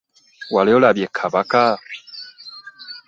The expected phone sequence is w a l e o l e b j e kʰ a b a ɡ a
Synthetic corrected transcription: w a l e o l a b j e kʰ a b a k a